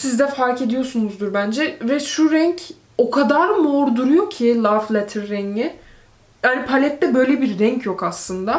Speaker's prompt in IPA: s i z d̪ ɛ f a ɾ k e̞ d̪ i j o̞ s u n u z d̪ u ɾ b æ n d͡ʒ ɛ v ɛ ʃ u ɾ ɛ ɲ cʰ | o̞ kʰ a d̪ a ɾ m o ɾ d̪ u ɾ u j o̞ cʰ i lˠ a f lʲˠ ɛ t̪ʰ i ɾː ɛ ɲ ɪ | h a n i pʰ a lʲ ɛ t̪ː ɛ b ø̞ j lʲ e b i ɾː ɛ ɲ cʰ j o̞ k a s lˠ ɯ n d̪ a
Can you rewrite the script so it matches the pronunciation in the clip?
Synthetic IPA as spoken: s i z d̪ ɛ f a ɾ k e̞ d̪ i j o̞ s u n u z d̪ u ɾ b æ n d͡ʒ ɛ v ɛ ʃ u ɾ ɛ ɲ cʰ | o̞ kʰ a d̪ a ɾ m o ɾ d̪ u ɾ u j o̞ cʰ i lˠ a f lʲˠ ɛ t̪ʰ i ɾː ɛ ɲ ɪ | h a n i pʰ a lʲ ɛ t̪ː ɛ b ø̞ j lʲ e b i ɾː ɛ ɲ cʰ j o̞ k a s lˠ ɯ n d̪ a